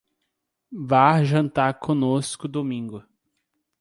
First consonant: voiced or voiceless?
voiced